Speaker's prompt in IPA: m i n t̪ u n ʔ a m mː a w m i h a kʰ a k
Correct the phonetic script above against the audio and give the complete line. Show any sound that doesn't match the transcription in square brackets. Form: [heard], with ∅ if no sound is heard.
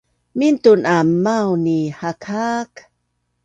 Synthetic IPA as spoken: m i n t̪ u n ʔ a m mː a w [n] i h a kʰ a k